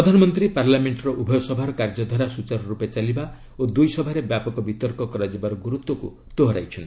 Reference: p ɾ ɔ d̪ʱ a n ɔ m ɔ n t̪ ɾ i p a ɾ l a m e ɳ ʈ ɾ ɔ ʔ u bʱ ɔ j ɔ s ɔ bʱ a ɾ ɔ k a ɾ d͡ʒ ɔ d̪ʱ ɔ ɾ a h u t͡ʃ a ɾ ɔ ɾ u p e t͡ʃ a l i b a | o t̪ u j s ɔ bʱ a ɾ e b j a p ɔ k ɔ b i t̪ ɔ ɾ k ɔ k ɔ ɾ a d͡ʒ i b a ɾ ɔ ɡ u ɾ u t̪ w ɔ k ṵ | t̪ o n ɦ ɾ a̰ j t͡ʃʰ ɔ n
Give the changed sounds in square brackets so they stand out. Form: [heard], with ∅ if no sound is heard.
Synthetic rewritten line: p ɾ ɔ d̪ʱ a n ɔ m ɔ n t̪ ɾ i p a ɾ l a m e ɳ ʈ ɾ ɔ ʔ u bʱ ɔ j ɔ s ɔ bʱ a ɾ ɔ k a ɾ d͡ʒ ɔ d̪ʱ ɔ ɾ a [s] u t͡ʃ a ɾ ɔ ɾ u p e t͡ʃ a l i b a | o [d̪] u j s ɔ bʱ a ɾ e b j a p ɔ k ɔ b i t̪ ɔ ɾ k ɔ k ɔ ɾ a d͡ʒ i b a ɾ ɔ ɡ u ɾ u t̪ w ɔ k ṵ | t̪ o [∅] ɦ ɾ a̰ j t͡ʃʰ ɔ n

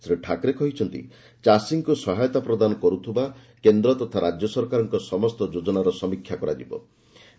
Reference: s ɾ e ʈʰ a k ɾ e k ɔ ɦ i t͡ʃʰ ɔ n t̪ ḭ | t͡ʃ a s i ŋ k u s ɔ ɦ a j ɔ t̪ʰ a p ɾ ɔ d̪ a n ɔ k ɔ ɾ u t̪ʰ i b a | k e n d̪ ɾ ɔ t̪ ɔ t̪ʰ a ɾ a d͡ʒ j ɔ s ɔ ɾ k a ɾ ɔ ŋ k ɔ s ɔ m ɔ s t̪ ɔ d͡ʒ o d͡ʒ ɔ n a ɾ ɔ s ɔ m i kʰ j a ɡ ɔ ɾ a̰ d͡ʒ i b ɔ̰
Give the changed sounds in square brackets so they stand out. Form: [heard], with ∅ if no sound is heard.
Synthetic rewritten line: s ɾ e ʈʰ a k ɾ e k ɔ ɦ i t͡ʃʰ ɔ n t̪ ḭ | t͡ʃ a s i ŋ k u s ɔ ɦ a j ɔ [t̪] a p ɾ ɔ d̪ a n ɔ k ɔ ɾ u t̪ʰ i b a | k e n d̪ ɾ ɔ t̪ ɔ t̪ʰ a ɾ a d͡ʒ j ɔ s ɔ ɾ k a ɾ ɔ ŋ k ɔ s ɔ m ɔ s t̪ ɔ d͡ʒ o d͡ʒ ɔ n a ɾ ɔ s ɔ m i kʰ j a [k] ɔ ɾ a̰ d͡ʒ i b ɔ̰

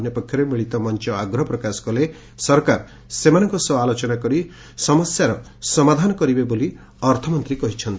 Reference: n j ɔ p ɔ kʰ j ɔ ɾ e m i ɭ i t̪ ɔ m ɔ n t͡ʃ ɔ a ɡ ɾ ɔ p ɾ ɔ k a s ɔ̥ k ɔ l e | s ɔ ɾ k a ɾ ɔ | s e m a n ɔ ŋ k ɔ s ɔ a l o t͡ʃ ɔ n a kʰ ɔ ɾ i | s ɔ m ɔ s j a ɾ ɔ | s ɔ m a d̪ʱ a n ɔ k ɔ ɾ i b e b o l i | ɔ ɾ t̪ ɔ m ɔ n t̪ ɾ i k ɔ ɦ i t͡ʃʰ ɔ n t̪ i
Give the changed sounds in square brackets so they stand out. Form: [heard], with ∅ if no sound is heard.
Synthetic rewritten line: n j ɔ p ɔ kʰ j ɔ ɾ e m i ɭ i t̪ ɔ m ɔ n t͡ʃ ɔ a ɡ ɾ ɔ p ɾ ɔ k a s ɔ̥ k ɔ l e | s ɔ ɾ k a ɾ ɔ | s e m a n ɔ ŋ k ɔ s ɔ a l o t͡ʃ ɔ n a [k] ɔ ɾ i | s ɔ m ɔ s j a ɾ ɔ | s ɔ m a d̪ʱ a n ɔ k ɔ ɾ i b e b o l i | ɔ ɾ [t̪ʰ] ɔ m ɔ n t̪ ɾ i k ɔ ɦ i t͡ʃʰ ɔ n t̪ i

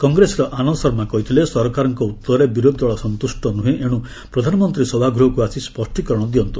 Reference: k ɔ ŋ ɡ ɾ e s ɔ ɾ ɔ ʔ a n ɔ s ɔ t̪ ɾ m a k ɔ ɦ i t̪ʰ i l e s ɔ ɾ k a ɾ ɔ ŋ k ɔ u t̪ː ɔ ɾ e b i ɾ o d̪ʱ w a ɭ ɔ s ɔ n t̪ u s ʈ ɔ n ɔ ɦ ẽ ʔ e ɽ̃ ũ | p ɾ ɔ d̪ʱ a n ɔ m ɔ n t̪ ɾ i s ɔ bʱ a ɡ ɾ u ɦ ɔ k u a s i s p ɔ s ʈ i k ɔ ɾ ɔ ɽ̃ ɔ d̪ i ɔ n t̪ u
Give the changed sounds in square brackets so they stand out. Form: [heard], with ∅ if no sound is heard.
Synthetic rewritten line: k ɔ ŋ ɡ ɾ e s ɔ ɾ ɔ ʔ a n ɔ s ɔ [∅] ɾ m a k ɔ ɦ i t̪ʰ i l e s ɔ ɾ k a ɾ ɔ ŋ k ɔ u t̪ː ɔ ɾ e b i ɾ o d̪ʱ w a ɭ ɔ s ɔ n t̪ u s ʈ ɔ n [u] ɦ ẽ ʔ e ɽ̃ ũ | p ɾ ɔ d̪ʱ a n ɔ m ɔ n t̪ ɾ i s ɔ bʱ a ɡ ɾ u ɦ ɔ k u a s i s p ɔ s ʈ i k ɔ ɾ ɔ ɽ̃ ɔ d̪ i ɔ n t̪ u

